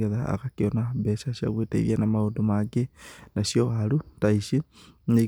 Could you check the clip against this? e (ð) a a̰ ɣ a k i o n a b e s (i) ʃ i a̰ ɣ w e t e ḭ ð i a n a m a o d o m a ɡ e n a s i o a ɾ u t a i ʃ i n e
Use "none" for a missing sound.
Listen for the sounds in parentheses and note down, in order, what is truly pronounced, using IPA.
ð, a

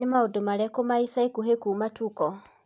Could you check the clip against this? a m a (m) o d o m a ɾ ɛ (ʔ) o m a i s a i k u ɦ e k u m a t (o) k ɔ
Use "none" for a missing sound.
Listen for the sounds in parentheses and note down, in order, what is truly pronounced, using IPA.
none, k, u

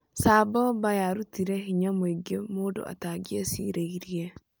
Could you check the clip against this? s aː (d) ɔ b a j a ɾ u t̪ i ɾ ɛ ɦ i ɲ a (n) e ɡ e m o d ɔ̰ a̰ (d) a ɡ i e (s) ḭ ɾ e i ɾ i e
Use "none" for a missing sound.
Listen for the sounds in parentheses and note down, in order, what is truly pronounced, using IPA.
b, m, t, s

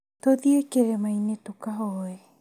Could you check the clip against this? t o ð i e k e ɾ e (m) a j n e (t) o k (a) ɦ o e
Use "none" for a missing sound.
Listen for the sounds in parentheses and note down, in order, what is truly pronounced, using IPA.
m, t, a

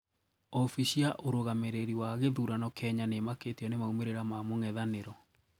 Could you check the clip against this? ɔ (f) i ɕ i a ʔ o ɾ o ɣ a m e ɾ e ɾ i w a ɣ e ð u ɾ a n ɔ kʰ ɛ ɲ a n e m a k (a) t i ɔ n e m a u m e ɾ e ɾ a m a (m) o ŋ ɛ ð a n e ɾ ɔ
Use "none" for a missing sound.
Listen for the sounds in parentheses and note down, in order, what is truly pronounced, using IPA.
f, e, m

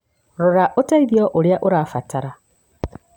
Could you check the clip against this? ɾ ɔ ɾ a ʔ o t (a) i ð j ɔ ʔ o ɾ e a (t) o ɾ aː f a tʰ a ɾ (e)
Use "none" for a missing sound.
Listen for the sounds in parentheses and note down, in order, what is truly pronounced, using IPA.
a, ʔ, a

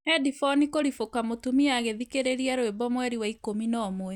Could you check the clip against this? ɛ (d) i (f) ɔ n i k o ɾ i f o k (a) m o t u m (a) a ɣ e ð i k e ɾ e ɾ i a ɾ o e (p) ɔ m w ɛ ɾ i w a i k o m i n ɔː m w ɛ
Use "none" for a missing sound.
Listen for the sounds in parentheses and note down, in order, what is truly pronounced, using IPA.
d, f, a, i, b

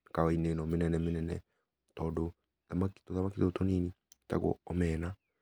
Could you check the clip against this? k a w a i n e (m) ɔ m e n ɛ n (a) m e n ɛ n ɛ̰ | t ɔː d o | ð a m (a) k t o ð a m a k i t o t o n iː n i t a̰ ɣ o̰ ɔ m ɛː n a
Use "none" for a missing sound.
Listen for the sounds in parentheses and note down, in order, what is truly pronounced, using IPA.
n, ɛ, a

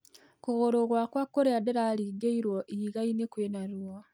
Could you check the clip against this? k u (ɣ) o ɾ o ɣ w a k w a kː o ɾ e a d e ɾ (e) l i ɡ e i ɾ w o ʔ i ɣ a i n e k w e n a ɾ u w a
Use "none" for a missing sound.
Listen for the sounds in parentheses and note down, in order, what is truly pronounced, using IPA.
ɣ, a

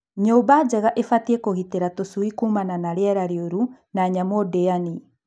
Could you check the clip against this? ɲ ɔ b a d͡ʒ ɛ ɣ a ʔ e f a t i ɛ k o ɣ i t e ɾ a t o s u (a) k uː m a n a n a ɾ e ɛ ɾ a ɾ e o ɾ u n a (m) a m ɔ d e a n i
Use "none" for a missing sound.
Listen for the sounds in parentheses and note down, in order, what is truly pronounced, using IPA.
i, ɲ

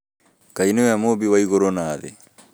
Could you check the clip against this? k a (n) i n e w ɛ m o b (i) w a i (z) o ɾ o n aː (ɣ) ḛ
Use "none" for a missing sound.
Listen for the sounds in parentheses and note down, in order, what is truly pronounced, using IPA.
none, i, ɣ, ð

